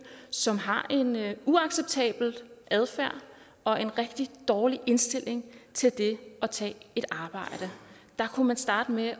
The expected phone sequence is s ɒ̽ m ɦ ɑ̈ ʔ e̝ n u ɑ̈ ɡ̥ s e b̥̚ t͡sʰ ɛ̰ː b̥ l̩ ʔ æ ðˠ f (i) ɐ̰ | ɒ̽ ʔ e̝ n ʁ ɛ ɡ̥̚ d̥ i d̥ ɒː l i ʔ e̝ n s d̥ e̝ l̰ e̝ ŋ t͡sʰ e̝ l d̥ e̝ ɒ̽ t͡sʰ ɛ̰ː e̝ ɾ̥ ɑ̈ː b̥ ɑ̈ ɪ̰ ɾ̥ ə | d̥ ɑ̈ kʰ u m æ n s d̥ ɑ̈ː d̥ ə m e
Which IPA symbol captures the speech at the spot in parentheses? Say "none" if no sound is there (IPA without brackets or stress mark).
æ